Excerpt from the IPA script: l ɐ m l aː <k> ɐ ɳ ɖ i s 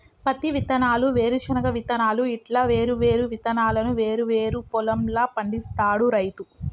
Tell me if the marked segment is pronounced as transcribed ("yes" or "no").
no